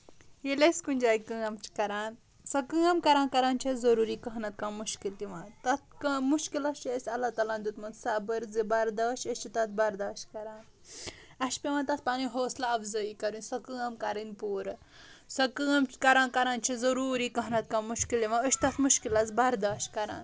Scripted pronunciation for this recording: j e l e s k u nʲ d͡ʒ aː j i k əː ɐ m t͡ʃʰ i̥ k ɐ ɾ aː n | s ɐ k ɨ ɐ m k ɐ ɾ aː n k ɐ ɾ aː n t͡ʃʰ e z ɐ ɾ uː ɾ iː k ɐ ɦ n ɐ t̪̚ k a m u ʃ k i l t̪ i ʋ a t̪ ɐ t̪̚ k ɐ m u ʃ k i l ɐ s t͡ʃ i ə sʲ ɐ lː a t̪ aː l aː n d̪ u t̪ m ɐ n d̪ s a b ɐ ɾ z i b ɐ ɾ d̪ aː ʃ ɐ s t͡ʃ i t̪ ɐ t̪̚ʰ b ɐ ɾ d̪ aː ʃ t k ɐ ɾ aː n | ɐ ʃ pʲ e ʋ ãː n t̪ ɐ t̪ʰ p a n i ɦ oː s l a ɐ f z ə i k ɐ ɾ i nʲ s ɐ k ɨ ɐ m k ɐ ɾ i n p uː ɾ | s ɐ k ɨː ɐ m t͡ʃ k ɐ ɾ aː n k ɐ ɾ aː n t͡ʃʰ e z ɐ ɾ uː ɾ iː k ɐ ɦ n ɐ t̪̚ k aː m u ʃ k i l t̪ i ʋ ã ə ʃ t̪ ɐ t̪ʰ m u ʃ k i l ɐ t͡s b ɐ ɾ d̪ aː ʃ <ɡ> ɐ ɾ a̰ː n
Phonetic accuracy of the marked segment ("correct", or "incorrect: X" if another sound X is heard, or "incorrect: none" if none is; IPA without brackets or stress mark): incorrect: k